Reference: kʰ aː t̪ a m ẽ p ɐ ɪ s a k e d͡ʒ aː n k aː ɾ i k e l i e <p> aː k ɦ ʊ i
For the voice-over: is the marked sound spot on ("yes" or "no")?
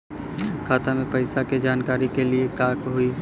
no